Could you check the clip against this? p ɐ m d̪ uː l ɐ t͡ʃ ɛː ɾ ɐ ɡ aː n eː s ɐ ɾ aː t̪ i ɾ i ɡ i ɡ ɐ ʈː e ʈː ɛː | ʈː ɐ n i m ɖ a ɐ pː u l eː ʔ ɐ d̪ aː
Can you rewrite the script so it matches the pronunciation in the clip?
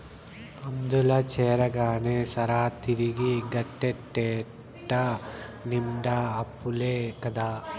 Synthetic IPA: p ɐ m d̪ u l ɐ t͡ʃ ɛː ɾ ɐ ɡ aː n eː s ɐ ɾ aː t̪ i ɾ i ɡ i ɡ ɐ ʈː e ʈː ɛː | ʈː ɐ n i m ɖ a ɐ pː u l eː k ɐ d̪ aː